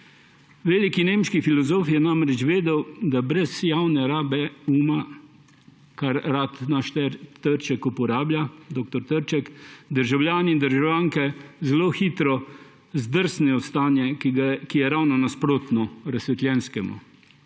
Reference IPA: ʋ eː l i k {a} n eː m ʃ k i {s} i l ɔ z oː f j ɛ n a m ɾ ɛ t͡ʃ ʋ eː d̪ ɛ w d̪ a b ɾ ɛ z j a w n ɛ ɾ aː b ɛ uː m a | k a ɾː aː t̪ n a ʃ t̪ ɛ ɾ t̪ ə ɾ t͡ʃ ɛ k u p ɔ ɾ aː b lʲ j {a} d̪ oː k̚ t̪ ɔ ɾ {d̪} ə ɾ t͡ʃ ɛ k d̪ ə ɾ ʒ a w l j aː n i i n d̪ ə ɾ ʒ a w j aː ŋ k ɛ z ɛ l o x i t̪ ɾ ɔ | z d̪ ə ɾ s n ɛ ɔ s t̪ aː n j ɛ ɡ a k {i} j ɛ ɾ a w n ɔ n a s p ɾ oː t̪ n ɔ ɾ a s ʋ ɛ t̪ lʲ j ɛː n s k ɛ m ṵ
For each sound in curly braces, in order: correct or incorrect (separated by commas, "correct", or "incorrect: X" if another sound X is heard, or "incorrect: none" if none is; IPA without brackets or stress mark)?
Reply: incorrect: i, incorrect: f, correct, incorrect: t̪, correct